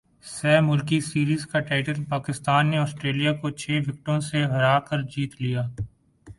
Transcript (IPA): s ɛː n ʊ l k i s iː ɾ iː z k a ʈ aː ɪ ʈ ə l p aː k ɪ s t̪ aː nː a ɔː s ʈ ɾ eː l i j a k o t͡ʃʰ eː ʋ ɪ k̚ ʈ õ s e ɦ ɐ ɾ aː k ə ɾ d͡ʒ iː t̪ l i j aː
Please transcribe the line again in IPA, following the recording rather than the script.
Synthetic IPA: s ɛː m ʊ l k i s iː ɾ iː z k a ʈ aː ɪ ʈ ə l p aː k ɪ s t̪ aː nː e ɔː s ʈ ɾ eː l i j a k o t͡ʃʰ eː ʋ ɪ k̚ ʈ õ s e ɦ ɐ ɾ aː k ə ɾ d͡ʒ iː t̪ l i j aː